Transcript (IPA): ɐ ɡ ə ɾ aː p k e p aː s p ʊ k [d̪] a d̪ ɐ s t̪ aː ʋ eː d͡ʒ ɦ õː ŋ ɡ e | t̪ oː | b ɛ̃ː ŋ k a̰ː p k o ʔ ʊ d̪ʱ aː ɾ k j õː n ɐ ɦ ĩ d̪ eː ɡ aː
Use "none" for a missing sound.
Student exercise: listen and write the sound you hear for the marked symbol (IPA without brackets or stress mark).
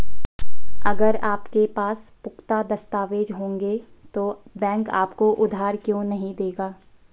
t̪